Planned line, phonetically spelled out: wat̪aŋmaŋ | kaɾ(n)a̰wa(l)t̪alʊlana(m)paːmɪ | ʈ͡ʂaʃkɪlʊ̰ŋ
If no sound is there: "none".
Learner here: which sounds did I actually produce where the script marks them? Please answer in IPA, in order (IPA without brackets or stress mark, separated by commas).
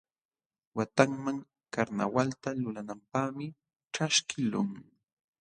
n, l, m